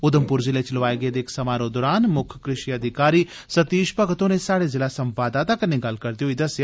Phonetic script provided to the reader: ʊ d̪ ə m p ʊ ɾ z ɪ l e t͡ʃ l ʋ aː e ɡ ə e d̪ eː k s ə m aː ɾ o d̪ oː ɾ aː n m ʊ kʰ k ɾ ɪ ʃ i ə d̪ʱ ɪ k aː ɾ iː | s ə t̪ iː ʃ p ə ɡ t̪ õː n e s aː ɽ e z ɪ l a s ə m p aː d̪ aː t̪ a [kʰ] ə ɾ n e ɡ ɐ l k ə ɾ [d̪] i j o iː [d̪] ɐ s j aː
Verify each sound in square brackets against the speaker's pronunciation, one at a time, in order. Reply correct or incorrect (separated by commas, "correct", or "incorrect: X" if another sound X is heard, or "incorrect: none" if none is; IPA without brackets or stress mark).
incorrect: k, correct, correct